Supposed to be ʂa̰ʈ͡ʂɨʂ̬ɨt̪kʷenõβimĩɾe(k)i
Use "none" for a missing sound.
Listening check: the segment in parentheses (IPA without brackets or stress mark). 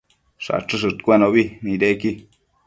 k